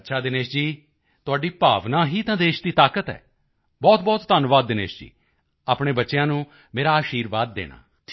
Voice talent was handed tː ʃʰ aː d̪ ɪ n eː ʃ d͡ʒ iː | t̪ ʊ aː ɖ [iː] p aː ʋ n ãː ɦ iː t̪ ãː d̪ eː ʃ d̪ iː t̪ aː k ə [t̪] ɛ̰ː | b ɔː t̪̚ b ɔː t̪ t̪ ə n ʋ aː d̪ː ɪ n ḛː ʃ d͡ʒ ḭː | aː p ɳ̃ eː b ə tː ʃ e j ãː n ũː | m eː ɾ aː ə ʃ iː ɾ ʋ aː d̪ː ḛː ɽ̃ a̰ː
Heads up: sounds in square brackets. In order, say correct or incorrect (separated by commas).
correct, correct